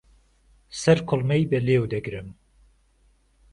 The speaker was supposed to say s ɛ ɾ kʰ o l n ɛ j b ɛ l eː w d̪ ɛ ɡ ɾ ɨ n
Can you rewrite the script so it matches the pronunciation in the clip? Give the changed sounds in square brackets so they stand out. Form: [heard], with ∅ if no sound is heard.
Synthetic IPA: s ɛ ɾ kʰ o l [m] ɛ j b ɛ l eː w d̪ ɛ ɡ ɾ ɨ [m]